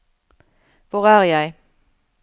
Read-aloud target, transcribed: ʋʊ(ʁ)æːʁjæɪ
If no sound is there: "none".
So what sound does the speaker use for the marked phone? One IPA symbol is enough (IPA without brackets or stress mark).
ʁ